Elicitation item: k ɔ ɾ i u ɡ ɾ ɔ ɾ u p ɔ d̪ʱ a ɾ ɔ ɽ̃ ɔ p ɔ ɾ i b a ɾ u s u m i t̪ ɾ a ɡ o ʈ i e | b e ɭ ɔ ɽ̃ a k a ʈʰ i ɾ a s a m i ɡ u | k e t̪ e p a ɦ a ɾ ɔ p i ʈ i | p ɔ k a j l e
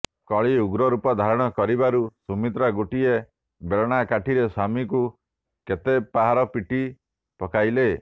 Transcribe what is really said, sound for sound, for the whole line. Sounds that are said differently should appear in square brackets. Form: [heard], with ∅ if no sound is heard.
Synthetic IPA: k ɔ [ɭ] i u ɡ ɾ ɔ ɾ u p ɔ d̪ʱ a ɾ ɔ ɽ̃ ɔ [k] ɔ ɾ i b a ɾ u s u m i t̪ ɾ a ɡ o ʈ i e | b e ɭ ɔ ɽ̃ a k a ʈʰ i ɾ [e] s a m i [k] u | k e t̪ e p a ɦ a ɾ ɔ p i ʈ i | p ɔ k a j l e